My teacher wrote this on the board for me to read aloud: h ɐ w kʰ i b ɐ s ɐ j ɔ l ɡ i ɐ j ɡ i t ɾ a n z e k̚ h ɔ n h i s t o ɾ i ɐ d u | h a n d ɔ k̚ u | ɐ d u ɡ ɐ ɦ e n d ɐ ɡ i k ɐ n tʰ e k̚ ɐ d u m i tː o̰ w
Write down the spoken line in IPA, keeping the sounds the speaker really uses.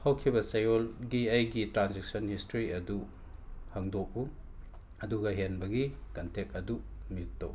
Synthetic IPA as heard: h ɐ w kʰ i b ɐ s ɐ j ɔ l ɡ i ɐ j ɡ i t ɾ a n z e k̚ s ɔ n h i s t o ɾ i ɐ d u | h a ŋ d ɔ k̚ u | ɐ d u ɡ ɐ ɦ e n b ɐ ɡ i k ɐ n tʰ e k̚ ɐ d u m i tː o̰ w